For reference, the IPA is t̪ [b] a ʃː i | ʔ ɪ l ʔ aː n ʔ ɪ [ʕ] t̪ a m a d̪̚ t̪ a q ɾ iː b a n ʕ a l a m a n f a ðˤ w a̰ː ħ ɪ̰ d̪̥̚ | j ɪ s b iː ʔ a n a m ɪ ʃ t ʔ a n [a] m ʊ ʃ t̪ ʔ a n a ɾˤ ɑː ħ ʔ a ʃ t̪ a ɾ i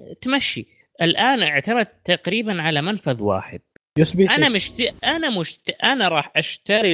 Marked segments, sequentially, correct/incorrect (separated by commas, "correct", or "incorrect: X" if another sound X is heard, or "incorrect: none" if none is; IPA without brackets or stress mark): incorrect: m, correct, correct